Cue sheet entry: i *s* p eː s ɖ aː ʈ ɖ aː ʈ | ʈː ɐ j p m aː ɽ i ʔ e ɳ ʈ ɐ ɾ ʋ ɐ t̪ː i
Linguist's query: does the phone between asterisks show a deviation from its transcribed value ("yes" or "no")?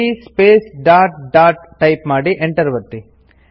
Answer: no